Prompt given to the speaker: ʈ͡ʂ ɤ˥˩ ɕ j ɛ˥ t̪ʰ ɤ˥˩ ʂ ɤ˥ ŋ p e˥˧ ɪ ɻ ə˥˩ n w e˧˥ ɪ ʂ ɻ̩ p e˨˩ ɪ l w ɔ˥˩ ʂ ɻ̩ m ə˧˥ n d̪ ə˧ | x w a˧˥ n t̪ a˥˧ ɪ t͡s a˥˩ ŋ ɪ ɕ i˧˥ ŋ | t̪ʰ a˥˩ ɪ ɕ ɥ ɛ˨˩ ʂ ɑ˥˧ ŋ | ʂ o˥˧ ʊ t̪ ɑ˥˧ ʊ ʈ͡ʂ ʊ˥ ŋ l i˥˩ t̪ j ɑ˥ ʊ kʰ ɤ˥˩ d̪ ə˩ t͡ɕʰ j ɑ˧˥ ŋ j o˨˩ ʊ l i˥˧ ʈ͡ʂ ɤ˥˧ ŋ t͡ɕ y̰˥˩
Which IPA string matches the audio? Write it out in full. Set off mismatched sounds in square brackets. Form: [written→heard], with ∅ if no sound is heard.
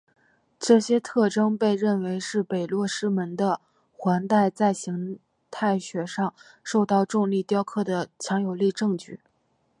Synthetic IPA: ʈ͡ʂ ɤ˥˩ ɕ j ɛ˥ t̪ʰ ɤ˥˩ [ʂ→ʈ͡ʂ] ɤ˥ ŋ p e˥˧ ɪ ɻ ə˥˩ n w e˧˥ ɪ ʂ ɻ̩ p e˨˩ ɪ l w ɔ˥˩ ʂ ɻ̩ m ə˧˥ n d̪ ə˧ | x w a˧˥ n t̪ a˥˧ ɪ t͡s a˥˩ [ŋ→∅] ɪ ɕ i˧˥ ŋ | t̪ʰ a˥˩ ɪ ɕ ɥ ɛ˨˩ ʂ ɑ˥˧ ŋ | ʂ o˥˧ ʊ t̪ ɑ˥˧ ʊ ʈ͡ʂ [ʊ˥→ʊ˥˧] ŋ l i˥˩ t̪ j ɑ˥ ʊ kʰ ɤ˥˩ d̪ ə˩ t͡ɕʰ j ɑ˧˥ ŋ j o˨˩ ʊ l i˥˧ ʈ͡ʂ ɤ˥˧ ŋ t͡ɕ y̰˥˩